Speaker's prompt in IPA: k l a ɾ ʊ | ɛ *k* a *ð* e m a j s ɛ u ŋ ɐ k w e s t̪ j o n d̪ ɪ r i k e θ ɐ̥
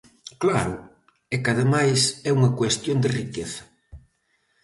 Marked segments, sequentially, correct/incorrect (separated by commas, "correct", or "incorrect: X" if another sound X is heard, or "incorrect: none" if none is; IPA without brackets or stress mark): correct, correct